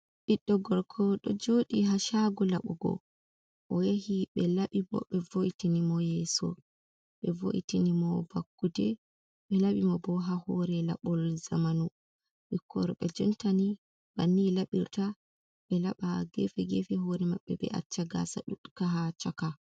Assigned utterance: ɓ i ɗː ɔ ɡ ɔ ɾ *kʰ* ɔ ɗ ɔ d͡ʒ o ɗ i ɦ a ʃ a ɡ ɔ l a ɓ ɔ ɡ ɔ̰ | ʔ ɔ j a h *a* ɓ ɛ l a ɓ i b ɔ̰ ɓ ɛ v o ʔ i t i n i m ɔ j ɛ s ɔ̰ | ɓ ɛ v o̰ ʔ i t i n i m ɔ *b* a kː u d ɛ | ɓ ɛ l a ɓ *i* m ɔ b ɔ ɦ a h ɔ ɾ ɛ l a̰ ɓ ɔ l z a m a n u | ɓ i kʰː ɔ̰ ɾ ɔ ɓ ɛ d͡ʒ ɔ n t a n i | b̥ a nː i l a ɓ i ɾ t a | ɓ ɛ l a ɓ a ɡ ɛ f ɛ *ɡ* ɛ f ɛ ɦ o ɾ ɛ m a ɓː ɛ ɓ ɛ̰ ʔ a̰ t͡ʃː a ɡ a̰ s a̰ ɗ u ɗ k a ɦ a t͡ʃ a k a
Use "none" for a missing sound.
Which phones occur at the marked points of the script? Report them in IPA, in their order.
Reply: kʰ, i, b, i, ɡ

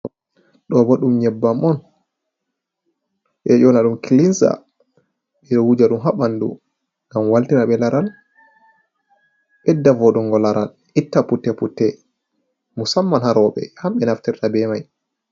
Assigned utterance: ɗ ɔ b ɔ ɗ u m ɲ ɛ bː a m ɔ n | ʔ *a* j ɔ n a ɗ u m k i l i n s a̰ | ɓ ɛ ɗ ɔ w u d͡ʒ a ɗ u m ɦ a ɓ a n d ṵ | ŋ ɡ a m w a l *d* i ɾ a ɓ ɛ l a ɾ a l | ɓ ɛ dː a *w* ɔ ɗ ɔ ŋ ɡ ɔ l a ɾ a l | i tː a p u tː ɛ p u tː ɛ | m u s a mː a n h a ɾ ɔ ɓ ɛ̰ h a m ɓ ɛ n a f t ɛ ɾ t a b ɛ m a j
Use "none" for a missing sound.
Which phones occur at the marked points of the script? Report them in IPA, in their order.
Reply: ɛ, t, v

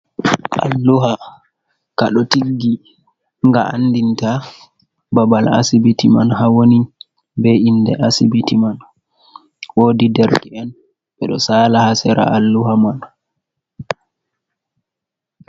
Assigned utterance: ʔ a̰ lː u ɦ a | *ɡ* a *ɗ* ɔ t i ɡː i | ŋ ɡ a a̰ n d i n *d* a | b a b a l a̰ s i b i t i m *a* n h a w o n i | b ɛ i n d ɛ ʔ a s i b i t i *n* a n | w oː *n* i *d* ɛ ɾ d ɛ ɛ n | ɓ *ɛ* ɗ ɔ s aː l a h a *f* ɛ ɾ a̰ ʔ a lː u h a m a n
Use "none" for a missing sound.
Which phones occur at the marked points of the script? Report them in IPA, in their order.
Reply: k, ɗ, t, a, m, d, d, ɛ, s

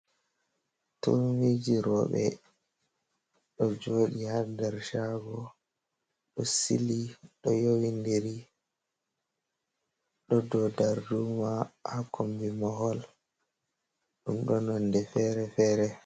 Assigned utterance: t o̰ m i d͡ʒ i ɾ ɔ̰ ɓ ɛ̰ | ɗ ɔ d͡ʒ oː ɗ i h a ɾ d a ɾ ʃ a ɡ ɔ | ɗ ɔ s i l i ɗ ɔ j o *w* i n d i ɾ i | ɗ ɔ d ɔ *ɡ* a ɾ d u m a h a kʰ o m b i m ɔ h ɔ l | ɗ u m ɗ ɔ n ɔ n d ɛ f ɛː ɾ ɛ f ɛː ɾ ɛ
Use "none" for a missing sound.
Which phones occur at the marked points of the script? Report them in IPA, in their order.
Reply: w, d

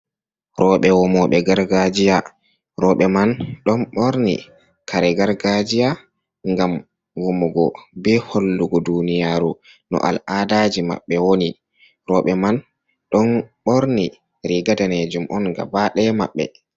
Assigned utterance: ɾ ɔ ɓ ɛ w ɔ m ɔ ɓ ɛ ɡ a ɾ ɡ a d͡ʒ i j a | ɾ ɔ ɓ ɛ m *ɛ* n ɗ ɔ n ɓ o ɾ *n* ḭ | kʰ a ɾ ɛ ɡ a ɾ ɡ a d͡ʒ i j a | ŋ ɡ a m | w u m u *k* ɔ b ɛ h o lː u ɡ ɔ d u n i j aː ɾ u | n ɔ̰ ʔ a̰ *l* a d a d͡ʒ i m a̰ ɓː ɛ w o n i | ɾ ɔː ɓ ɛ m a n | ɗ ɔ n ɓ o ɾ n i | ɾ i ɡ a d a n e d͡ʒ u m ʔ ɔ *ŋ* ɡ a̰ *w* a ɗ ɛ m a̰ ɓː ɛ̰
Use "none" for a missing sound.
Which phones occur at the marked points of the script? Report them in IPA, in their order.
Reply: a, n, ɡ, l, n, b

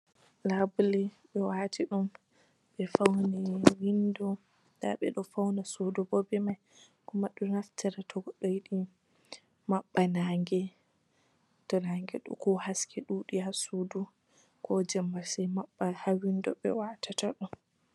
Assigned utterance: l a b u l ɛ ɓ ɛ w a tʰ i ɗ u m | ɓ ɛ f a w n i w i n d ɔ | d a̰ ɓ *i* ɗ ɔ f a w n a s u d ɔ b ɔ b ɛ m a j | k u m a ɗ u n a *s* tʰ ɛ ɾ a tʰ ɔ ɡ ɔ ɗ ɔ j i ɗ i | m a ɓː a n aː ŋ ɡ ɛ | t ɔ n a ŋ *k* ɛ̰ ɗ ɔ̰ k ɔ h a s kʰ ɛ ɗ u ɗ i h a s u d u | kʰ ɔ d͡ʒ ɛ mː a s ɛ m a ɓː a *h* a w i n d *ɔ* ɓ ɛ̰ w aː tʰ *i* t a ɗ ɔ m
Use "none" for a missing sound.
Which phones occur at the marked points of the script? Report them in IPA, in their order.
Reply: ɛ, f, ɡ, h, ɔ, a

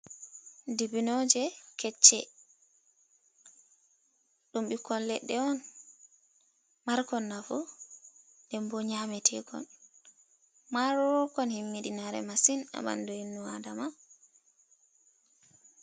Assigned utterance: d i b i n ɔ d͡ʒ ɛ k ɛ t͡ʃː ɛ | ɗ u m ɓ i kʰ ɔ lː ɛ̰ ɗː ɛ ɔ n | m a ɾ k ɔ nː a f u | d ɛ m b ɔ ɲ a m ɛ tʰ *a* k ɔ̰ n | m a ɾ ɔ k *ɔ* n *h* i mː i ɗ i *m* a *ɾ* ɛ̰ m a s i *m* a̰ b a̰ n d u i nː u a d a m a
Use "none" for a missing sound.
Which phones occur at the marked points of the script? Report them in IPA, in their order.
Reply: ɛ, ɔ, h, n, ɾ, n

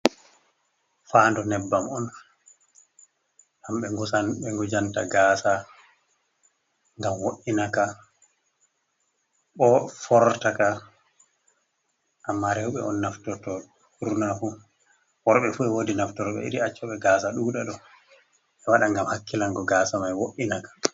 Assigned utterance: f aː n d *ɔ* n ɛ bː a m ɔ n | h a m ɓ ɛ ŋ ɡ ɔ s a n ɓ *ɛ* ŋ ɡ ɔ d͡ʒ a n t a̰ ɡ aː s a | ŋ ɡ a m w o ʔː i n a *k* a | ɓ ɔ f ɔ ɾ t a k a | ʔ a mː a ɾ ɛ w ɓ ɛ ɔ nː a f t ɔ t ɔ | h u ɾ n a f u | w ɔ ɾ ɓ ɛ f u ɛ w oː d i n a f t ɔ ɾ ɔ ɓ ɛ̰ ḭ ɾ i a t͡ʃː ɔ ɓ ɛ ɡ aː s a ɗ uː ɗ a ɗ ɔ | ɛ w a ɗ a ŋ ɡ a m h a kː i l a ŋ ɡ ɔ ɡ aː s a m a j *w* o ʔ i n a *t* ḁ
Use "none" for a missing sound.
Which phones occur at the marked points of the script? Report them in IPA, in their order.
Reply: ɔ, ɛ, k, w, k

